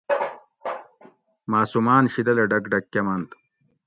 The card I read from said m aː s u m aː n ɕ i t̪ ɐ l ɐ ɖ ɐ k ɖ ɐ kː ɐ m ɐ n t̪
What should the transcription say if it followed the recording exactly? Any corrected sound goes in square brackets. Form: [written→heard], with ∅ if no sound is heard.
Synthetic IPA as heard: m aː s u m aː n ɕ i [t̪→d̪] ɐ l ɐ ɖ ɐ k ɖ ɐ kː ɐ m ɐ n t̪

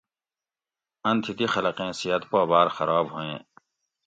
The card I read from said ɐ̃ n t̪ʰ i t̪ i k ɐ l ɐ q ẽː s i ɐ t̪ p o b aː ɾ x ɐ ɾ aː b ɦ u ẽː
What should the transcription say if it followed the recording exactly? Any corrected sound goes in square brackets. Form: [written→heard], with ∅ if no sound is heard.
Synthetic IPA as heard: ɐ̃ n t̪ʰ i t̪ i [k→x] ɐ l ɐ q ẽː s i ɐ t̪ p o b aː ɾ x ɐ ɾ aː b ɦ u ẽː

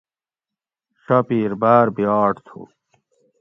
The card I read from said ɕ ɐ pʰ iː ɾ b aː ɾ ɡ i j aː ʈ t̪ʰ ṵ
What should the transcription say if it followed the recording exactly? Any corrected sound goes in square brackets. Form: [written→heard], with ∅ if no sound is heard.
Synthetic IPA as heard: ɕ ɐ [pʰ→p] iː ɾ b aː ɾ [ɡ→b] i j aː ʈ t̪ʰ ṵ

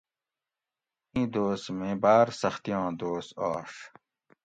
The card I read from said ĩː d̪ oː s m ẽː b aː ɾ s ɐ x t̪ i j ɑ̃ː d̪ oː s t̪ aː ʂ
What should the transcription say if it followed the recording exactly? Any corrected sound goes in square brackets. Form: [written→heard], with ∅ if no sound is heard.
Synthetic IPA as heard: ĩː d̪ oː s m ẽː b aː ɾ s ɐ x t̪ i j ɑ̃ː d̪ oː s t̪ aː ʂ

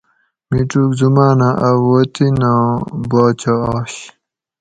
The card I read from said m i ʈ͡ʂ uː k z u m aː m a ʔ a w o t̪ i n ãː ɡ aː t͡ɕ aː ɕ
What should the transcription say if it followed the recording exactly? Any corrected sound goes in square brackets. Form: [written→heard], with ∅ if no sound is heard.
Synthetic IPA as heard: m i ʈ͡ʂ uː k z u m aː [m→n] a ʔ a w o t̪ i n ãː [ɡ→b] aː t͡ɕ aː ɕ

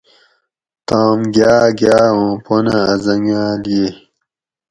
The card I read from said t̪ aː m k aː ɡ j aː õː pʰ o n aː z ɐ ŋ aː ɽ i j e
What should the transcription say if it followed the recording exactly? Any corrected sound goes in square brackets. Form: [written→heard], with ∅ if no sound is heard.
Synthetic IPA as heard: t̪ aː m [k→ɡ] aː ɡ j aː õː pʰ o n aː z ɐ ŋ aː [ɽ→l] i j e

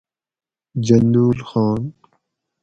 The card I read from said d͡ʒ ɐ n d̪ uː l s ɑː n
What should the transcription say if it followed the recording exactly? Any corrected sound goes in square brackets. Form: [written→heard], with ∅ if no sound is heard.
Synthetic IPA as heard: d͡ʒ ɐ n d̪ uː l [s→x] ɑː n

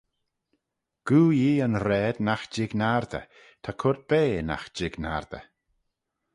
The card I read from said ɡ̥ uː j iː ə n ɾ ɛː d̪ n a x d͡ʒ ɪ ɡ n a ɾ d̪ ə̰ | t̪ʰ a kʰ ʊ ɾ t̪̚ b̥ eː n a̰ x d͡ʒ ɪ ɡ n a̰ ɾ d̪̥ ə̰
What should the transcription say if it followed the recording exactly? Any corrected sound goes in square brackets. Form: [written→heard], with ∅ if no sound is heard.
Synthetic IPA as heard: ɡ̥ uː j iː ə n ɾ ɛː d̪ n a x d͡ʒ ɪ ɡ n a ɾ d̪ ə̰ | t̪ʰ a kʰ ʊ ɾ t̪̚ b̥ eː n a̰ x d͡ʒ ɪ ɡ n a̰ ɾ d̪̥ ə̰

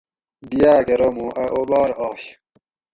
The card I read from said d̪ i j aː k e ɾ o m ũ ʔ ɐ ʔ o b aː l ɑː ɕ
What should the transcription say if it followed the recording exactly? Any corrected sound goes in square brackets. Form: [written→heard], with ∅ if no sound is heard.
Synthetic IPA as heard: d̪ i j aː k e ɾ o m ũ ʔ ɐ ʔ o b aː [l→ɾ] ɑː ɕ

